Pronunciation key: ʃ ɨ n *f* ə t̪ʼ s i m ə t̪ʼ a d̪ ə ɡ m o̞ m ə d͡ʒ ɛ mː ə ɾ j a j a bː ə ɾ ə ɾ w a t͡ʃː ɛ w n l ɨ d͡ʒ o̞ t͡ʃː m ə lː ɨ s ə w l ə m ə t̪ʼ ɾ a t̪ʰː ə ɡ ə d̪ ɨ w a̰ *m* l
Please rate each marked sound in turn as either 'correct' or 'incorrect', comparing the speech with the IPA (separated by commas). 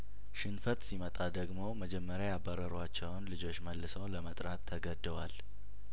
correct, incorrect